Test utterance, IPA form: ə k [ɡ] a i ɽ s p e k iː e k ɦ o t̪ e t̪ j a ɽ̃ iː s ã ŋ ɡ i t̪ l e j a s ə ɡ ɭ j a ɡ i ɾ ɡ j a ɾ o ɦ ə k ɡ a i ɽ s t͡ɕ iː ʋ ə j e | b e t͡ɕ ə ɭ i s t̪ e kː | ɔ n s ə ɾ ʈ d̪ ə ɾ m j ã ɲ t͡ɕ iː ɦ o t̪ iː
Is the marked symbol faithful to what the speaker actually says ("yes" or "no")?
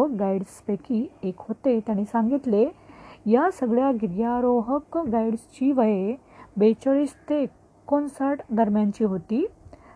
yes